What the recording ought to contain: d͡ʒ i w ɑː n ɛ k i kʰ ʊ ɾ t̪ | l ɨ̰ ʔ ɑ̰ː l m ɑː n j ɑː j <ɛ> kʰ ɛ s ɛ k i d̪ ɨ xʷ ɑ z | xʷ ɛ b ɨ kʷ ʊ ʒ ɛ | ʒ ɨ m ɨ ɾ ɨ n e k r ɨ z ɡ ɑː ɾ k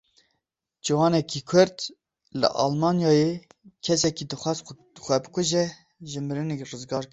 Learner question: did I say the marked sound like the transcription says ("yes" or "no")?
no